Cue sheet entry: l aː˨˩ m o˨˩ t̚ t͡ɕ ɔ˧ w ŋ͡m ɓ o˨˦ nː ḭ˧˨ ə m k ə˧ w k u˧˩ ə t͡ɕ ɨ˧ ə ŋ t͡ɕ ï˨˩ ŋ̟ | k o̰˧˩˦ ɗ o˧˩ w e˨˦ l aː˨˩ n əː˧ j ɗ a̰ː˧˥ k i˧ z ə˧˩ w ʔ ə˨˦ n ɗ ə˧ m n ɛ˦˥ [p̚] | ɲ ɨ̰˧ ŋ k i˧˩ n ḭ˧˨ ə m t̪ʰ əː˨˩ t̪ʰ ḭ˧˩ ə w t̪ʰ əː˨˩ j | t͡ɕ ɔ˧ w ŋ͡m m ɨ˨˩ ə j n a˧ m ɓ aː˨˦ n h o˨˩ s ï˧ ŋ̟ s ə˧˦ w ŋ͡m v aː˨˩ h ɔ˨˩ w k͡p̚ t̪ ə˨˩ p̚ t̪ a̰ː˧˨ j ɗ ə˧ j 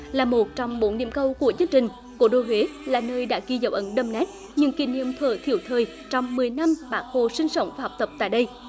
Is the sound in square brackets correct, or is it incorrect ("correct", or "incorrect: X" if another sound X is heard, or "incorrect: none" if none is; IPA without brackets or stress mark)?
incorrect: t̚